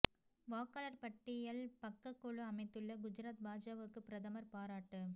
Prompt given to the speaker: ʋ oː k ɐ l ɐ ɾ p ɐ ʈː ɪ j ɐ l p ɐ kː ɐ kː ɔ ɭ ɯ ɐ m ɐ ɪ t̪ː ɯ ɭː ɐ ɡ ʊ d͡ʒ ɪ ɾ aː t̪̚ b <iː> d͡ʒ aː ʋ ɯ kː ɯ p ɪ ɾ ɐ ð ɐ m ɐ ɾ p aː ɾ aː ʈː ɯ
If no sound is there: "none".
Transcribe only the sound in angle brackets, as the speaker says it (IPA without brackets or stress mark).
aː